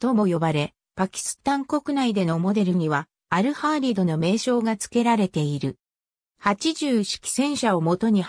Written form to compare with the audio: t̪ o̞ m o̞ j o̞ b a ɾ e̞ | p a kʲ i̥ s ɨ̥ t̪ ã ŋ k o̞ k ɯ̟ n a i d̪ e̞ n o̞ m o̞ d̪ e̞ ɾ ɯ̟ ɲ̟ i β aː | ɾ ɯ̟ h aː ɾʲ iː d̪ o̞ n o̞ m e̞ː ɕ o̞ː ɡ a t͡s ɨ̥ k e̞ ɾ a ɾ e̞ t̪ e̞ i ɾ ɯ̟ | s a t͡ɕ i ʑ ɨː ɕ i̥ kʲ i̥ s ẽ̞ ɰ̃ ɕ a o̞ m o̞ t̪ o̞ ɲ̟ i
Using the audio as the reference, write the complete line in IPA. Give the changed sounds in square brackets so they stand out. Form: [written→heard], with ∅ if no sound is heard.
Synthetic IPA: t̪ o̞ m o̞ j o̞ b a ɾ e̞ | p a kʲ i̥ s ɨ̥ t̪ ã ŋ k o̞ k ɯ̟ n a i d̪ e̞ n o̞ m o̞ d̪ e̞ ɾ ɯ̟ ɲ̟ i β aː | ɾ ɯ̟ h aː ɾʲ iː d̪ o̞ n o̞ m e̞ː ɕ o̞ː ɡ a t͡s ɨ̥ k e̞ ɾ a ɾ e̞ t̪ e̞ i ɾ ɯ̟ | [s→h] a t͡ɕ i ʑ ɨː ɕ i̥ kʲ i̥ s ẽ̞ ɰ̃ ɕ a o̞ m o̞ t̪ o̞ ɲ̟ i